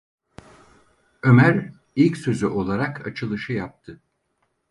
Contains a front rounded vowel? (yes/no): yes